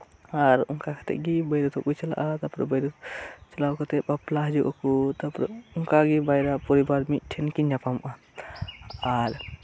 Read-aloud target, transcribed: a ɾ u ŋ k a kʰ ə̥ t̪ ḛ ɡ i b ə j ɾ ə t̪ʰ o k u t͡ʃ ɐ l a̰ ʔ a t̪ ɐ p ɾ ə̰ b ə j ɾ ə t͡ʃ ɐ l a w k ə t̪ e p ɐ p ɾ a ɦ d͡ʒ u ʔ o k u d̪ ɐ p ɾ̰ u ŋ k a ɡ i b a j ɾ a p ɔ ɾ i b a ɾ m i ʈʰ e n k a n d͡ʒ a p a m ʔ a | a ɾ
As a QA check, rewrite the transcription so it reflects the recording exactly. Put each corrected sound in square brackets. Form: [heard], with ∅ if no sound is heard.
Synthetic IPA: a ɾ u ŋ k a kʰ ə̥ t̪ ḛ ɡ i b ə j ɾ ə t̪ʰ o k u t͡ʃ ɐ l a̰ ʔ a t̪ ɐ p ɾ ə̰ b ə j ɾ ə t͡ʃ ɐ l a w k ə t̪ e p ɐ p [l] a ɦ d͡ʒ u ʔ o k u [t̪] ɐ p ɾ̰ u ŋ k a ɡ i b a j ɾ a p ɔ ɾ i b a ɾ m i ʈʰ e n k [i] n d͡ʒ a p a m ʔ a | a ɾ